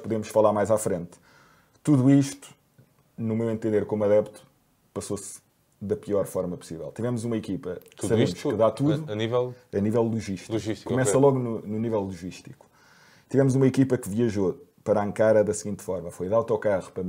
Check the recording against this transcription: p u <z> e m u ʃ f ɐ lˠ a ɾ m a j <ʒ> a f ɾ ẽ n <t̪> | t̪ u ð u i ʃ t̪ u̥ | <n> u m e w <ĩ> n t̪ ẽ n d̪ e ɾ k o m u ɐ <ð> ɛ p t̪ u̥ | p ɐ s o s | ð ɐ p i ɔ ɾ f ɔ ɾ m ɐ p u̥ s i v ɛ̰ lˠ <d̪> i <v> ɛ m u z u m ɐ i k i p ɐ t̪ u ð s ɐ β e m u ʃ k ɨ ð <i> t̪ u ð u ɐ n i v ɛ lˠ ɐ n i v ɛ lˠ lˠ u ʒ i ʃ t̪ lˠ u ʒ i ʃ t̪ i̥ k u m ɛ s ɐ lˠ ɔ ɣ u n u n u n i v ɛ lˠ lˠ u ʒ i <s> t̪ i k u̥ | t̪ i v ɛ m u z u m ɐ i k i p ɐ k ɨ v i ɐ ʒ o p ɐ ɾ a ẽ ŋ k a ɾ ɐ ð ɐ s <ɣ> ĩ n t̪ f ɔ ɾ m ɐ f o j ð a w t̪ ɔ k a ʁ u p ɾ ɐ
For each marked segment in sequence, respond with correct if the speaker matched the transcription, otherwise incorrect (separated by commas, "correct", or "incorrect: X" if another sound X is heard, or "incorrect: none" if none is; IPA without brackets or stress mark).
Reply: incorrect: ð, incorrect: z, correct, correct, incorrect: ẽ, correct, incorrect: t̪, correct, incorrect: a, incorrect: ʃ, correct